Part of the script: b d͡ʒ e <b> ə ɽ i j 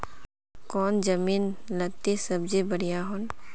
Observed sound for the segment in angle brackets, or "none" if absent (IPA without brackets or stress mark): b